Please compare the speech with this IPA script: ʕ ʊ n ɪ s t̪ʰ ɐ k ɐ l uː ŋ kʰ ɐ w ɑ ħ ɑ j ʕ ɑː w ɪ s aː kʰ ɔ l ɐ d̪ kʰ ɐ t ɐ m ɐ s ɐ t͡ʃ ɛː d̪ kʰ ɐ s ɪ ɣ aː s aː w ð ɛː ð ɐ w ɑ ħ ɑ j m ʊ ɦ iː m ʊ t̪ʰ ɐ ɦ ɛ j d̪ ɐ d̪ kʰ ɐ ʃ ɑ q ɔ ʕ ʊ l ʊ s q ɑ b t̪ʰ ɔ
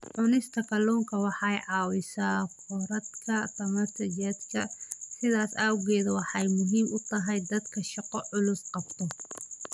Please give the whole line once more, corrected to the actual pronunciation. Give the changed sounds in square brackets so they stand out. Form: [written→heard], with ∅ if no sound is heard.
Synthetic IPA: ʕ ʊ n ɪ s t̪ʰ ɐ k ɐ l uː ŋ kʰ ɐ w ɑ ħ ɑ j ʕ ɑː w ɪ s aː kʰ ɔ [l→ɾ] ɐ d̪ kʰ ɐ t ɐ m ɐ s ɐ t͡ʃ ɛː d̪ kʰ ɐ s ɪ [ɣ→ð] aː s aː w [ð→ɣ] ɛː ð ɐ w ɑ ħ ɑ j m ʊ ɦ iː m ʊ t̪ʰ ɐ ɦ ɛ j d̪ ɐ d̪ kʰ ɐ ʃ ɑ q ɔ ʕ ʊ l ʊ s q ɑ b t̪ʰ ɔ